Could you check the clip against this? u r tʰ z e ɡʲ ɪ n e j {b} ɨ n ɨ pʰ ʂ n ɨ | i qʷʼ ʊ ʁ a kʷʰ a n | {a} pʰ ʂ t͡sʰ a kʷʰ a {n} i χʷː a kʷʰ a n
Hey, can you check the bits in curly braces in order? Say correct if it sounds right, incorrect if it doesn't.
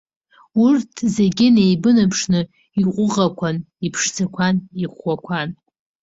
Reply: correct, incorrect, correct

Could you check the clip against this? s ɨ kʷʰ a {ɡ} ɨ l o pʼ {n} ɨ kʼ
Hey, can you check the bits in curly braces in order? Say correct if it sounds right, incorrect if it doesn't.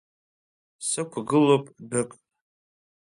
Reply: correct, incorrect

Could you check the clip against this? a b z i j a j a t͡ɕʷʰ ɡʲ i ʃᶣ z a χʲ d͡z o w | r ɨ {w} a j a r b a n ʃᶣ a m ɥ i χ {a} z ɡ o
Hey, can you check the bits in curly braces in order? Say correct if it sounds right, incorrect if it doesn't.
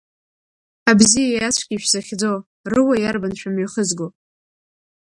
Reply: correct, incorrect

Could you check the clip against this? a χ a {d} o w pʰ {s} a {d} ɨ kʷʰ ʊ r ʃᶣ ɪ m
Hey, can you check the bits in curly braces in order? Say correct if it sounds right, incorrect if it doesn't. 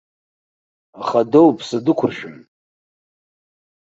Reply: correct, correct, correct

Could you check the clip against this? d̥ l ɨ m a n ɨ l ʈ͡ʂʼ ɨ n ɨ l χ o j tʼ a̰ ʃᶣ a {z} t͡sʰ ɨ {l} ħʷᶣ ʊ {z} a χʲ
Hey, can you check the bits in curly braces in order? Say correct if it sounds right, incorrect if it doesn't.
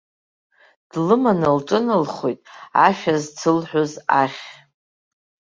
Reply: correct, correct, correct

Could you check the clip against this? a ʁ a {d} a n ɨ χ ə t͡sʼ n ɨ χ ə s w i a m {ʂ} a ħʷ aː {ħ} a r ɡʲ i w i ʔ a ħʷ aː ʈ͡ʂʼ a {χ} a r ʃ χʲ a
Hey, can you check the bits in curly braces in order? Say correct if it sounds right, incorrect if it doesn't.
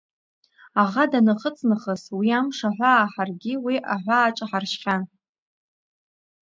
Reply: correct, correct, correct, incorrect

